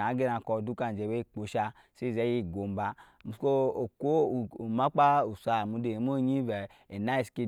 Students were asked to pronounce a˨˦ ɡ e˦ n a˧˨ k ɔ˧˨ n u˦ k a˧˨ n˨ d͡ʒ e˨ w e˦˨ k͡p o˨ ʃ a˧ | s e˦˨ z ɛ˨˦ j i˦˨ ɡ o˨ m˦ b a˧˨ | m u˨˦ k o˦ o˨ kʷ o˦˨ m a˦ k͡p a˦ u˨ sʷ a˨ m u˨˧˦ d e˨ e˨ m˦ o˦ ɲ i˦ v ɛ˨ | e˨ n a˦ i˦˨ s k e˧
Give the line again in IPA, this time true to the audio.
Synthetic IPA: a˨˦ ɡ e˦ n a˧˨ k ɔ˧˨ d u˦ k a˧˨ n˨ d͡ʒ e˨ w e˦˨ k͡p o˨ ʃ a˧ | s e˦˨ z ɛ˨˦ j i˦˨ ɡ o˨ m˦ b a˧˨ | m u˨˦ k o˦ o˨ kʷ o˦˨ m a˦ k͡p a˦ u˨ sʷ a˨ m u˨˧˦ d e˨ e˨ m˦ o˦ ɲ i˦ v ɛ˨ | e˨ n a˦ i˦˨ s k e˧